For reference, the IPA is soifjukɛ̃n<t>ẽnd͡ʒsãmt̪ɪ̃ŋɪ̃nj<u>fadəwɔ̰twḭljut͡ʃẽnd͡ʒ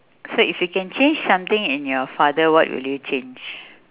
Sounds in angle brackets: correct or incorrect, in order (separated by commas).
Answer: incorrect, incorrect